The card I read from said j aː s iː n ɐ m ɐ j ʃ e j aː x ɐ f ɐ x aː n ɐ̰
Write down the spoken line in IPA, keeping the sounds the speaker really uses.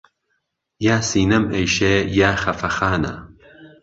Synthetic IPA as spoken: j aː s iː n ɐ m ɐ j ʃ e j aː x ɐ f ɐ x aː n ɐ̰